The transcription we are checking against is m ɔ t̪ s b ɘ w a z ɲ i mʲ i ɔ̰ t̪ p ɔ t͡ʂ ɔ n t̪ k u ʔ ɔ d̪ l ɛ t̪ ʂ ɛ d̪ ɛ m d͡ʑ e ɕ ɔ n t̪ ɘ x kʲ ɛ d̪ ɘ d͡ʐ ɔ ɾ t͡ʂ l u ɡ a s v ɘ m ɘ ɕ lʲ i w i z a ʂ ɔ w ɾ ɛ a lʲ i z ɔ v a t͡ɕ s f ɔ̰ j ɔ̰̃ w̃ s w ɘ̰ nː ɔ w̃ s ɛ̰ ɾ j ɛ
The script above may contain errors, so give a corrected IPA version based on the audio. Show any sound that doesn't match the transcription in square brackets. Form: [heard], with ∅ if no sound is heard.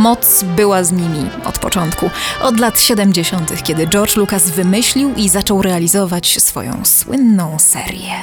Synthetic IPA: m ɔ t̪ s b ɘ w a z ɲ i mʲ i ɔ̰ t̪ p ɔ t͡ʂ ɔ n t̪ k u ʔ ɔ d̪ l [a] t̪ [ɕ] ɛ d̪ ɛ m d͡ʑ e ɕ ɔ n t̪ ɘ x kʲ ɛ d̪ ɘ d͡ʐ ɔ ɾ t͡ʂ l u [k] a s v ɘ m ɘ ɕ lʲ i w i z a [t͡ʂ] ɔ w ɾ ɛ a lʲ i z ɔ v a t͡ɕ s f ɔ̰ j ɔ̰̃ w̃ s w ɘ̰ nː [ɔ̃] w̃ s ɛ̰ ɾ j ɛ